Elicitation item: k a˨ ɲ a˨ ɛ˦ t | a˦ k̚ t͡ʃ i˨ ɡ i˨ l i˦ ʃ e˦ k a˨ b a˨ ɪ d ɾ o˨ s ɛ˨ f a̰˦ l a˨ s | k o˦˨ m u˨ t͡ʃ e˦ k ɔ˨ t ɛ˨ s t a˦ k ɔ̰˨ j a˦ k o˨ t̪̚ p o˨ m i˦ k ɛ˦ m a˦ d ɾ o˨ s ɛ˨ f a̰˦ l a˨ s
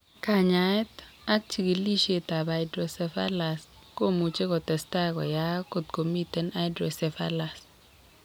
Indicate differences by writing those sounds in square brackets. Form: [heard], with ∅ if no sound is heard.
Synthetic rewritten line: k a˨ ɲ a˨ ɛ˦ t | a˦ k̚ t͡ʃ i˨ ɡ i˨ l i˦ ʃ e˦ [t] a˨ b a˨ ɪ d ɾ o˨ s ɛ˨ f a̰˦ l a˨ s | k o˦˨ m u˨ t͡ʃ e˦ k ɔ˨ t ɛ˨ s t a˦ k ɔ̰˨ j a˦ k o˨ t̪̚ [k] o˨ m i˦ [t] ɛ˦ [n] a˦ d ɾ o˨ s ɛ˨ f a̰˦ l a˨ s